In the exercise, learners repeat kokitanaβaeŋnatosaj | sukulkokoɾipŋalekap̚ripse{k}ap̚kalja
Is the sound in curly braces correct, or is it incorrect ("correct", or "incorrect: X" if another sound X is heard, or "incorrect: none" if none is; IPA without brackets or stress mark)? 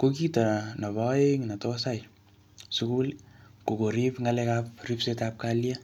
incorrect: t